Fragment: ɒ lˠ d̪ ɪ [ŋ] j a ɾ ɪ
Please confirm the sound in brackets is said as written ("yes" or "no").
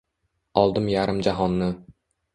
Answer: no